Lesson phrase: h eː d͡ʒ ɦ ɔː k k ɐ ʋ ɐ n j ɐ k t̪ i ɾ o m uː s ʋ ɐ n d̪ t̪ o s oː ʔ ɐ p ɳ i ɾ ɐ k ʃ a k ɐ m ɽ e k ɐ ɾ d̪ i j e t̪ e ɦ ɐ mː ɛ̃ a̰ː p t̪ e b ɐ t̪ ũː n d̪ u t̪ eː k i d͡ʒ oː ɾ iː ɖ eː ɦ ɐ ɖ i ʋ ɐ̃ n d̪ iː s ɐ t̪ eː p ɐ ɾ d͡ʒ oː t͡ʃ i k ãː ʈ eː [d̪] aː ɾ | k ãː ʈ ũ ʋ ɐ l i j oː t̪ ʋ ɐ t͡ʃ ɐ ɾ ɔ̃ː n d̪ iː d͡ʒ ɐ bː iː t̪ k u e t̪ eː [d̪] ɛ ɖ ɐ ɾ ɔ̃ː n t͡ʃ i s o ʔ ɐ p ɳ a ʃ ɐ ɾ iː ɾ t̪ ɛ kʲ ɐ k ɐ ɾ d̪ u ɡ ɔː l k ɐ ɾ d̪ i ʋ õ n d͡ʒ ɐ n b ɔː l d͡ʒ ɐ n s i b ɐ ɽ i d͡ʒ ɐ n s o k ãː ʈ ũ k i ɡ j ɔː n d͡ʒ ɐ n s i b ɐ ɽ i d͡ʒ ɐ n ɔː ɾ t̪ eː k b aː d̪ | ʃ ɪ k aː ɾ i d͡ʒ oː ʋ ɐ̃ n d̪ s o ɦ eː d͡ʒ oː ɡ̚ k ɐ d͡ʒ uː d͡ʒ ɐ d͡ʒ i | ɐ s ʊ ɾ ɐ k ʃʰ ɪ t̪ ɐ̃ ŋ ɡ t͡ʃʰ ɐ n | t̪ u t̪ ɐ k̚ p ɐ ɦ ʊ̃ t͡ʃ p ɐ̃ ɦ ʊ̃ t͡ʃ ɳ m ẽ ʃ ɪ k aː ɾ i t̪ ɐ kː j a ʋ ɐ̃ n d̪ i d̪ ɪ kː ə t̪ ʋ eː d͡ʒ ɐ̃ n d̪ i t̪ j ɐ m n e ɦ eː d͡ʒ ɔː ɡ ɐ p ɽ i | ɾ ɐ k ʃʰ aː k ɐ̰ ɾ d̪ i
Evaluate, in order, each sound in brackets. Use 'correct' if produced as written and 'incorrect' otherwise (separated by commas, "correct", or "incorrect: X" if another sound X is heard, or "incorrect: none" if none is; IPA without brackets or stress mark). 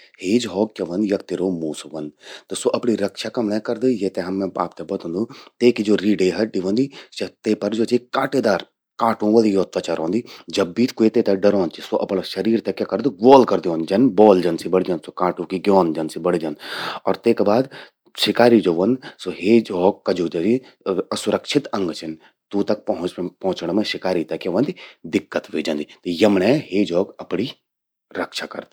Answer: correct, incorrect: t̪